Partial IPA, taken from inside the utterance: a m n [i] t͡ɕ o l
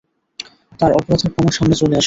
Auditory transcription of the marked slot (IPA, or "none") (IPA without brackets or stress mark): e